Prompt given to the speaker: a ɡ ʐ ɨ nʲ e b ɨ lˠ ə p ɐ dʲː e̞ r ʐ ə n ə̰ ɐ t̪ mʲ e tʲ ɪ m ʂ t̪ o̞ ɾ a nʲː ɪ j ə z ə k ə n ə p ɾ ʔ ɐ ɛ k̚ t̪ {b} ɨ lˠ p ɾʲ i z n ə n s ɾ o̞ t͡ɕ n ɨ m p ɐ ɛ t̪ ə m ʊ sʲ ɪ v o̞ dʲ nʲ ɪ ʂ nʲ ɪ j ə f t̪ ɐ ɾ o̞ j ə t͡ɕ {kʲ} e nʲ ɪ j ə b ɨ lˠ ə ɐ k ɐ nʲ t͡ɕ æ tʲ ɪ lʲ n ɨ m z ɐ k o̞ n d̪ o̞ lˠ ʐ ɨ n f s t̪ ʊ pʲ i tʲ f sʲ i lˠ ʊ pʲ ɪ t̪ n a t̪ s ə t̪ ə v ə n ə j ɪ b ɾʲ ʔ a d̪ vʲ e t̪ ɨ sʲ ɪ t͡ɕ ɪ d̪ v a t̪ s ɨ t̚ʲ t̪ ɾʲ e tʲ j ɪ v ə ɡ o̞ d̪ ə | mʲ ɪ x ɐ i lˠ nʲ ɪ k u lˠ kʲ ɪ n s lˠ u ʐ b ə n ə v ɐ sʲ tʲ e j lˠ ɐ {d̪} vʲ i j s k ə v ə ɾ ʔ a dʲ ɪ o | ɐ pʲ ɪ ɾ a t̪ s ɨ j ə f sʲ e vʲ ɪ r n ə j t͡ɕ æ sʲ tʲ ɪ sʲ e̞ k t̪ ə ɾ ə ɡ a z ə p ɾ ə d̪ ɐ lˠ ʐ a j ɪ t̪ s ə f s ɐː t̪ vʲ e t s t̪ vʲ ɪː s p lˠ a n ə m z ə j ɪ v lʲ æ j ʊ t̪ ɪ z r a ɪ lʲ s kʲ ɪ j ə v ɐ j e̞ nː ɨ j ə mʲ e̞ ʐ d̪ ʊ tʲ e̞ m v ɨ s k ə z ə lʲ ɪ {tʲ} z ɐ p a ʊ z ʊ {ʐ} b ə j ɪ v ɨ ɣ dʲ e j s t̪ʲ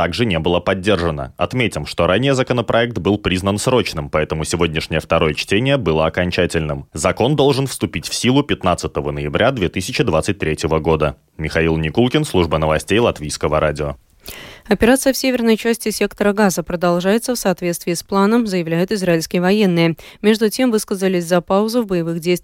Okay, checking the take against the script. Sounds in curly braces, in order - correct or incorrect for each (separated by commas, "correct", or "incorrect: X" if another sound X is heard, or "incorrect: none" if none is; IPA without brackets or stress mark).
correct, incorrect: tʲ, incorrect: t̪, incorrect: sʲ, incorrect: v